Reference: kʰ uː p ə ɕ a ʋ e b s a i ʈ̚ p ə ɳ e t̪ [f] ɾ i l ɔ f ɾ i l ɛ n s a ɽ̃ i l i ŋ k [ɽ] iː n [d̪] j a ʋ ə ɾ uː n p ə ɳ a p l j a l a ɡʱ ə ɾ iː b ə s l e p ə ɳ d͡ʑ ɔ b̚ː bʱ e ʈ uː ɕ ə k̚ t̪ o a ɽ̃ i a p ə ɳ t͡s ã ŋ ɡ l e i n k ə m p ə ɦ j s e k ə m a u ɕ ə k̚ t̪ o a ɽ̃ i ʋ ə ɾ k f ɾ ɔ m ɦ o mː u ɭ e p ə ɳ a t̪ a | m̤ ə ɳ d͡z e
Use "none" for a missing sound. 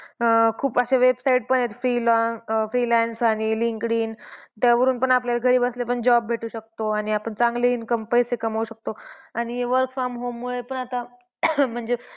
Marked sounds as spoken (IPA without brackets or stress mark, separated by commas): f, ɽ, t̪